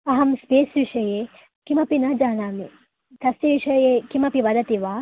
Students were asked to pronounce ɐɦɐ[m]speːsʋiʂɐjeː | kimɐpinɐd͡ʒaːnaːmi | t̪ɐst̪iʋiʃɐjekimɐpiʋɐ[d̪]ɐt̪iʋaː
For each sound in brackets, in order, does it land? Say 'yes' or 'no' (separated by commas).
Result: yes, yes